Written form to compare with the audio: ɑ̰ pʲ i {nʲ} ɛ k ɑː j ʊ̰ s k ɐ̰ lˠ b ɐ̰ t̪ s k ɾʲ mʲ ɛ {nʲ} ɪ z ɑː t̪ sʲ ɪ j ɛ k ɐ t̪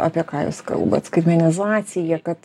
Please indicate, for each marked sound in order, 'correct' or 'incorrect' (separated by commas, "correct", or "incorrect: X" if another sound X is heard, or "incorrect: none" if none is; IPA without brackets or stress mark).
incorrect: none, correct